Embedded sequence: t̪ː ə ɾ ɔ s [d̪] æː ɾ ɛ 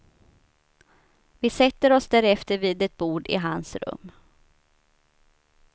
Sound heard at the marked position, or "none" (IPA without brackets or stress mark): d̪